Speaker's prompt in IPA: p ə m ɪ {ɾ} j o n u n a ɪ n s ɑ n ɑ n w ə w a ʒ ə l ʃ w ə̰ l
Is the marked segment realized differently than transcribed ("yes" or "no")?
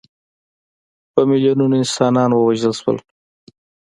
yes